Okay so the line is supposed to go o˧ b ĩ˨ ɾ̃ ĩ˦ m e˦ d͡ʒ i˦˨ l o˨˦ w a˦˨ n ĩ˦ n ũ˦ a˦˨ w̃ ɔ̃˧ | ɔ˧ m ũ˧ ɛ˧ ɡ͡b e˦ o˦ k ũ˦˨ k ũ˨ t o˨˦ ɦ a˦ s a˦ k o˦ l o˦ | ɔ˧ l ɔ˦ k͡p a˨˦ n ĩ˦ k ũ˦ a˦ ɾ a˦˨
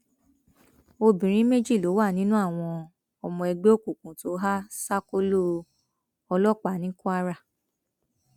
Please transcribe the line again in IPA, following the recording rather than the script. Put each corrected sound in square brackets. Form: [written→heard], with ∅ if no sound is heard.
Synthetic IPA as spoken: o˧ b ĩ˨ ɾ̃ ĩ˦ m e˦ d͡ʒ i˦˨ l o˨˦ w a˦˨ n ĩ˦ n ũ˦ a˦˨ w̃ ɔ̃˧ | ɔ˧ m [ũ˧→ɔ̃˧] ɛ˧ ɡ͡b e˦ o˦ k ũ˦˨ k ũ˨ t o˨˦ ɦ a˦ s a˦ k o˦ l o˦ | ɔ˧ l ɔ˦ k͡p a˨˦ n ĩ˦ k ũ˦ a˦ ɾ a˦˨